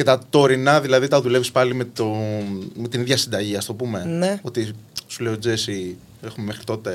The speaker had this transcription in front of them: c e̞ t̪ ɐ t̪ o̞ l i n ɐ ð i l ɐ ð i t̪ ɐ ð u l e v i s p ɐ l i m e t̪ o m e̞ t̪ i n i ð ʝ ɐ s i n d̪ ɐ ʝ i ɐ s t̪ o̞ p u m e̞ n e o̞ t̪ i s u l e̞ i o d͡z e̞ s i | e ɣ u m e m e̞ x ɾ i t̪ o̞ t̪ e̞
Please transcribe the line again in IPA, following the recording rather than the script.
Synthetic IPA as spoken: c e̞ t̪ ɐ t̪ o̞ ɾ i n ɐ ð i l ɐ ð i t̪ ɐ ð u l e v i s p ɐ l i m e t̪ o m e̞ t̪ i n i ð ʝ ɐ s i n d̪ ɐ ʝ i ɐ s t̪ o̞ p u m e̞ n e o̞ t̪ i s u l e̞ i o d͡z e̞ s i | e x u m e m e̞ x ɾ i t̪ o̞ t̪ e̞